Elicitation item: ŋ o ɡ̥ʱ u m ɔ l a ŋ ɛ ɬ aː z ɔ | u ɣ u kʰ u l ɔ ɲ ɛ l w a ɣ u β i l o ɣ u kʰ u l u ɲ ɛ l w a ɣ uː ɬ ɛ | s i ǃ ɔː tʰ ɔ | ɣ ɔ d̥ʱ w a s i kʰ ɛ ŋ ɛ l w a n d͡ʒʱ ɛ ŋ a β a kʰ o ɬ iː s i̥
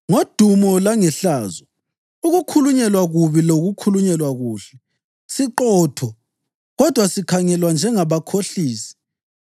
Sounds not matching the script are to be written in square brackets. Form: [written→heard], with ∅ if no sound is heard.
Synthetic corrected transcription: ŋ o [ɡ̥ʱ→d̥ʱ] u m ɔ l a ŋ ɛ ɬ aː z ɔ | u ɣ u kʰ u l [ɔ→u] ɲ ɛ l w a ɣ u β i l o ɣ u kʰ u l u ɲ ɛ l w a ɣ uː ɬ ɛ | s i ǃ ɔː tʰ ɔ | ɣ ɔ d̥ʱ w a s i kʰ [ɛ→a] ŋ ɛ l w a n d͡ʒʱ ɛ ŋ a β a kʰ o ɬ iː s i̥